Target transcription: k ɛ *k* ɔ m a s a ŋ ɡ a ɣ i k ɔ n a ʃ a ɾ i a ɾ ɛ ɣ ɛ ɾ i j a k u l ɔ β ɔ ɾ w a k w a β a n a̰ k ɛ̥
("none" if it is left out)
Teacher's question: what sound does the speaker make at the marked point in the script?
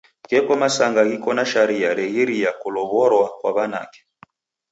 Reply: k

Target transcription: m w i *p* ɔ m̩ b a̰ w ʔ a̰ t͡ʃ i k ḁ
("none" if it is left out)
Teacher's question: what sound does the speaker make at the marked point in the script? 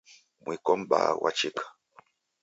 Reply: k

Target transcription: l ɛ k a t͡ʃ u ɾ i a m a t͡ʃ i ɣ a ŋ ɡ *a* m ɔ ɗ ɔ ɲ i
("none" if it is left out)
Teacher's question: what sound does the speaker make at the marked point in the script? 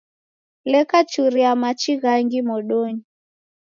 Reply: i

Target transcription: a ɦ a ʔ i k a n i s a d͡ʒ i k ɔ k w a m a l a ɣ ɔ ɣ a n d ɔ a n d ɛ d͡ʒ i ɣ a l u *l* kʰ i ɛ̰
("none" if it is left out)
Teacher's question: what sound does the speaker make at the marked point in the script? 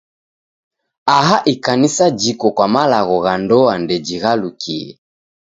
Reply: none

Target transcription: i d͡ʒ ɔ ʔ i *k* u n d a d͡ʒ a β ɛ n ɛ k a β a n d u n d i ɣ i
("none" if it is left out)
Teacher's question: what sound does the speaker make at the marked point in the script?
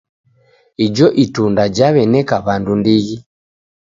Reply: t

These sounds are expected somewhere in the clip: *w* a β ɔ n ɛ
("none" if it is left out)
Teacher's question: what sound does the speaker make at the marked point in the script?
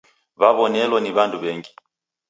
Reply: β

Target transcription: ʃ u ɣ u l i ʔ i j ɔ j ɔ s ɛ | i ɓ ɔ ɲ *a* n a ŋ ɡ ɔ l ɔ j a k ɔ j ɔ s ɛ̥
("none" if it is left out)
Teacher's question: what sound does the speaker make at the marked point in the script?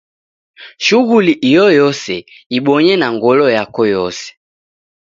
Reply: ɛ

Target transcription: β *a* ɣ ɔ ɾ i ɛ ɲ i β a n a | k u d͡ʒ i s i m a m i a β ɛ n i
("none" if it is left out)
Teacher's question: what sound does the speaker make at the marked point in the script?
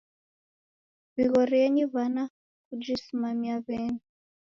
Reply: i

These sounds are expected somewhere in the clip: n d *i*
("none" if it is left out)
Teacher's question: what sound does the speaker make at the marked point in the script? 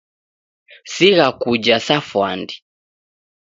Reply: i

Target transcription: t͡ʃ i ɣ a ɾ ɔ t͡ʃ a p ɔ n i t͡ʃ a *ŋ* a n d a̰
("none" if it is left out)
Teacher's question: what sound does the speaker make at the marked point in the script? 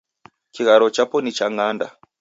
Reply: ŋ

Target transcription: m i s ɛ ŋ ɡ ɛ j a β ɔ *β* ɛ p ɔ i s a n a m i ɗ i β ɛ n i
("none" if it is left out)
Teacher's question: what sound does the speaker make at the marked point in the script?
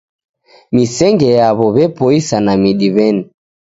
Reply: β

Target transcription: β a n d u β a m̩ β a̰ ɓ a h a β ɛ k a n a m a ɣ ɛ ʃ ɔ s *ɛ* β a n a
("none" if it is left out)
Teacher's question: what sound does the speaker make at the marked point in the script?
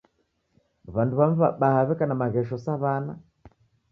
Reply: a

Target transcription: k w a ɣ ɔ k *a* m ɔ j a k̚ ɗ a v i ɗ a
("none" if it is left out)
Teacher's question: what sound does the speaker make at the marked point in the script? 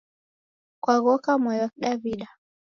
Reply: a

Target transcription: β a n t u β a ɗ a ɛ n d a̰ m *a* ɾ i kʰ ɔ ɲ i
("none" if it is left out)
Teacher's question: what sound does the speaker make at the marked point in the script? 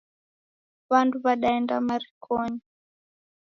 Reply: a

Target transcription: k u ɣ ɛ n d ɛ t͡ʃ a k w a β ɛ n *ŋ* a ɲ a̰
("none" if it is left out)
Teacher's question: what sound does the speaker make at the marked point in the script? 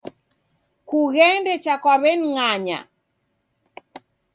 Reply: ŋ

